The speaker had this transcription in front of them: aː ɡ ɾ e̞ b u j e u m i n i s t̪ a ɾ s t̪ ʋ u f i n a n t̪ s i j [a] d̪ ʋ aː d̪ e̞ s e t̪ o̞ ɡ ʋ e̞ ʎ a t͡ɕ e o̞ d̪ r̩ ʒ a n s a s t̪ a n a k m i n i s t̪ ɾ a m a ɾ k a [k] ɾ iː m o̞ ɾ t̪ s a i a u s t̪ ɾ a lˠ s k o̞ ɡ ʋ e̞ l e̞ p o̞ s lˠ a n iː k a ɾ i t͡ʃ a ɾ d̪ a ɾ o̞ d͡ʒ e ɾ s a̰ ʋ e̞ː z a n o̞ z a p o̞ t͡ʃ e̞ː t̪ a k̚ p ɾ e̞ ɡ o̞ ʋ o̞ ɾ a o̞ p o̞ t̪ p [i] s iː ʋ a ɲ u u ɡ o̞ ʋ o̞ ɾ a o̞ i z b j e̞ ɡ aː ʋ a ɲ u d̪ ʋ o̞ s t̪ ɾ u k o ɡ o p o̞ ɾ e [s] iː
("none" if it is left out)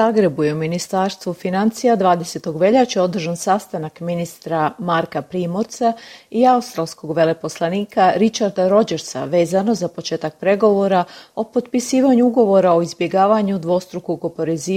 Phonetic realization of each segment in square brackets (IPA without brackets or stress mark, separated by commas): a, p, i, z